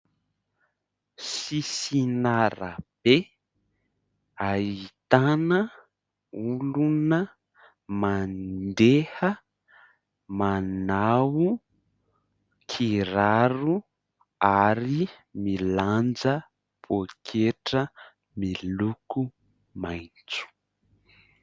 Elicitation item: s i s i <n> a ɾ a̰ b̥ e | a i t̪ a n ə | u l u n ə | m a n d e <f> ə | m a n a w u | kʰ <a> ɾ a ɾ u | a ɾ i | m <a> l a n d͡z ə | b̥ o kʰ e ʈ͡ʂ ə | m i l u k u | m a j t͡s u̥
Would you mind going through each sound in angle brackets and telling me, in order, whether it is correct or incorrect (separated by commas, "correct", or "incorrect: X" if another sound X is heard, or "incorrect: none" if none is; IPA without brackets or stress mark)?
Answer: correct, incorrect: h, incorrect: i, incorrect: i